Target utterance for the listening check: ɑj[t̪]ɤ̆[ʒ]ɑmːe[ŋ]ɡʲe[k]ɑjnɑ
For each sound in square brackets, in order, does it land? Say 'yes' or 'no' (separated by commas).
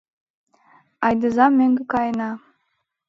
no, no, yes, yes